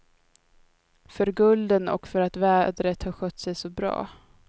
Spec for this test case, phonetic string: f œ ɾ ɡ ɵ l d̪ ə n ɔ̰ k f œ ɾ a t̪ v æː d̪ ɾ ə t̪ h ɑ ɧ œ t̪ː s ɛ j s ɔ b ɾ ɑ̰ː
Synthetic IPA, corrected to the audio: f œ ɾ ɡ ɵ l d̪ ə n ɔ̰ k f œ ɾ a t̪ v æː d̪ ɾ ə t̪ h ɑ ɧ œ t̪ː s ɛ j s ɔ b ɾ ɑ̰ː